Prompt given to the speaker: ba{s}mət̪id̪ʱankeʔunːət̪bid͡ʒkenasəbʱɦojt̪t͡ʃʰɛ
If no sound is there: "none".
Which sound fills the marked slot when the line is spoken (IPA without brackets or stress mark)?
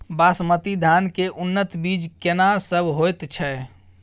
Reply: s